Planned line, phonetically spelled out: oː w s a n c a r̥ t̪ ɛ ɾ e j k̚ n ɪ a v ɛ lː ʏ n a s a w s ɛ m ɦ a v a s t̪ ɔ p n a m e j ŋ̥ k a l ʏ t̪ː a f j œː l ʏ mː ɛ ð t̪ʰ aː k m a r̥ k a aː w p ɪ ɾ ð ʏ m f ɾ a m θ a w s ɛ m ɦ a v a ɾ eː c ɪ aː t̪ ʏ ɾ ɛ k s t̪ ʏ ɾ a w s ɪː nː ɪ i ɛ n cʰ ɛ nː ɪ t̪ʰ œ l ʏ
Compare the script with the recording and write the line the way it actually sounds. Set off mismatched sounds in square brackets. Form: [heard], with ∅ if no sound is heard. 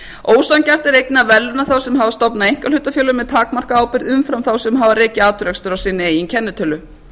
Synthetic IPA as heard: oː w s a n c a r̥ t̪ ɛ ɾ e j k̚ n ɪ a v ɛ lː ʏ n a [θ] a w s ɛ m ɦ a v a s t̪ ɔ p n a [∅] e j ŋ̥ k a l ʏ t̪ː a f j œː l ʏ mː ɛ ð t̪ʰ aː k m a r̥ k a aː w p ɪ ɾ ð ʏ m f ɾ a m θ a w s ɛ m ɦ a v a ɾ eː c ɪ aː t̪ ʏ ɾ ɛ k s t̪ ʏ ɾ a w s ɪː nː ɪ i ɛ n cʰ ɛ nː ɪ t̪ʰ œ l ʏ